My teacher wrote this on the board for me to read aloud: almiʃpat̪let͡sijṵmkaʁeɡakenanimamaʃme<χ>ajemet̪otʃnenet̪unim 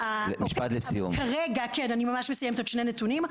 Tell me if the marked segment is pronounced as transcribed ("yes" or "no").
no